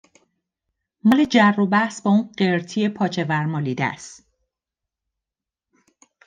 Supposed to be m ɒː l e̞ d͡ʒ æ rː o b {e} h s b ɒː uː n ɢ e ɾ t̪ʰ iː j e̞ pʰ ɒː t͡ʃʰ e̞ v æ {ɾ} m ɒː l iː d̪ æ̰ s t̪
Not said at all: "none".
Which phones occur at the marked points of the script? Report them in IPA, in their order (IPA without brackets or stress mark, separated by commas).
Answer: æ, ɾ